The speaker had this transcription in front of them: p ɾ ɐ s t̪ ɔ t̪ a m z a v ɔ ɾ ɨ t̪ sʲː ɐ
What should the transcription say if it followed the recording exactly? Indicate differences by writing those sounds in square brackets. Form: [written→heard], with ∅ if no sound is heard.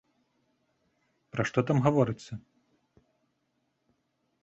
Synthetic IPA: p ɾ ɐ [s→ʂ] t̪ ɔ t̪ a m [z→ɣ] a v ɔ ɾ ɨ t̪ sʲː ɐ